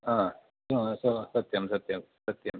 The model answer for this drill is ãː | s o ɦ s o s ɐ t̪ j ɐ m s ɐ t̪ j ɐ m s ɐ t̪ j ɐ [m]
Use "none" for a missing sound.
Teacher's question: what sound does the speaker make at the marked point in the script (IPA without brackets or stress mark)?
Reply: m